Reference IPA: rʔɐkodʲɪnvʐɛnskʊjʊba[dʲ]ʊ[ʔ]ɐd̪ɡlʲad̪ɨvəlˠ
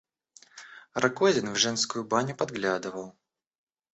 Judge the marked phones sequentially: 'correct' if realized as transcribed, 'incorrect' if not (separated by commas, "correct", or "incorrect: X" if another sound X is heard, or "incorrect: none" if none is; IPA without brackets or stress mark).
incorrect: nʲ, incorrect: p